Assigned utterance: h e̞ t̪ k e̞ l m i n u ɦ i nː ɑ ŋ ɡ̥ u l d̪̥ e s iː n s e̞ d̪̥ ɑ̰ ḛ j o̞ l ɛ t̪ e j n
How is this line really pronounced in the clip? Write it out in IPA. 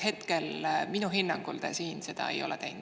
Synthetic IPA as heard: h e̞ t̪ k e̞ l m i n u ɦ i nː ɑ ŋ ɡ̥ u l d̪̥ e s iː n s e̞ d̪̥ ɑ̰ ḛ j o̞ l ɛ t̪ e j n